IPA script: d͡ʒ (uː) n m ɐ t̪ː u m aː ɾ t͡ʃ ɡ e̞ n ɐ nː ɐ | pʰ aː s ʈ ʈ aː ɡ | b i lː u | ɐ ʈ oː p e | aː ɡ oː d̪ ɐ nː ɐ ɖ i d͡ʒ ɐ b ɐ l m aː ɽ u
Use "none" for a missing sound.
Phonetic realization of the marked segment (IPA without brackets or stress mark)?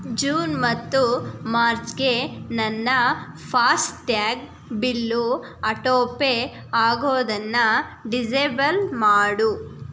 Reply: uː